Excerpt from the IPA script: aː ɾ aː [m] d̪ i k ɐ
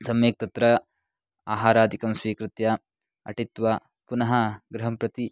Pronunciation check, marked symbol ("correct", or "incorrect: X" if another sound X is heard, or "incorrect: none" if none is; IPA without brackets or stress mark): incorrect: none